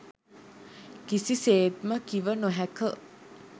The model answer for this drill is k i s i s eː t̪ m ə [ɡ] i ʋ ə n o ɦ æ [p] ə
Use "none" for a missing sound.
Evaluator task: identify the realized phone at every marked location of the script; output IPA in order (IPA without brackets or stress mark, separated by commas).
k, k